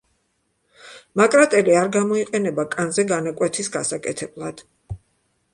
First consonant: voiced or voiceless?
voiced